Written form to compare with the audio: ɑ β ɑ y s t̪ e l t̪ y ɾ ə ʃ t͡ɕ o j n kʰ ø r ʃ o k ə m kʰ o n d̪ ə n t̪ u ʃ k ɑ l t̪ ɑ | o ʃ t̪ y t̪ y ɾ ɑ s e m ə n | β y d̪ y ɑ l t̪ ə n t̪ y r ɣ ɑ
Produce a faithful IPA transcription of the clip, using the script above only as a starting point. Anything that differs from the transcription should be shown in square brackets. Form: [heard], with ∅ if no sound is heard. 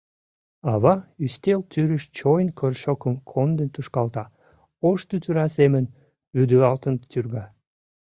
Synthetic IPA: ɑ β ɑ y s t̪ e l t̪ y ɾ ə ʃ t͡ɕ o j n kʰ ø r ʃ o k ə m kʰ o n d̪ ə n t̪ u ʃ k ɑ l t̪ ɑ | o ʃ t̪ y t̪ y ɾ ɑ s e m ə n | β y d̪ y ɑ l t̪ ə n t̪ y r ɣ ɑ